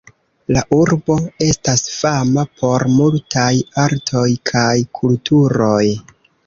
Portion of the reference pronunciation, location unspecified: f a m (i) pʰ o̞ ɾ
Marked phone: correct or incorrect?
incorrect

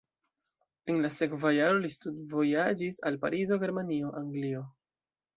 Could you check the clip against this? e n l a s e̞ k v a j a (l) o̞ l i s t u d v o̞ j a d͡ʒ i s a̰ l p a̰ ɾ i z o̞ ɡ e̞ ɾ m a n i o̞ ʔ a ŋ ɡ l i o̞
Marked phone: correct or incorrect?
incorrect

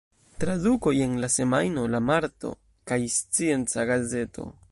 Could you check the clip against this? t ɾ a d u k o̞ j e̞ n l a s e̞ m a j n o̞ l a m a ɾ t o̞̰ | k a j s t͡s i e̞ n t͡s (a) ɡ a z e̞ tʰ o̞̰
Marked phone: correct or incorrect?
correct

